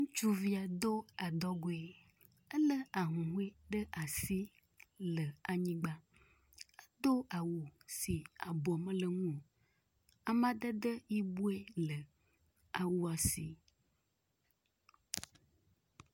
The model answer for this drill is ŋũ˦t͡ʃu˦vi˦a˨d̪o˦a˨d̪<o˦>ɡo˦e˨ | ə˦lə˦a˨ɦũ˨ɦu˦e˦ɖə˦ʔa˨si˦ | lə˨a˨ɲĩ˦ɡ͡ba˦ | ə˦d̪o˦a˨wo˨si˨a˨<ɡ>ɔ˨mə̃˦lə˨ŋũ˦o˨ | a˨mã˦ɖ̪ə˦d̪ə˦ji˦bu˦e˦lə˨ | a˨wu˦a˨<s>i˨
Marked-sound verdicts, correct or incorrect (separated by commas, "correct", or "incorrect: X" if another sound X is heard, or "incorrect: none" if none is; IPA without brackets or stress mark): incorrect: ɔ˦, incorrect: b, correct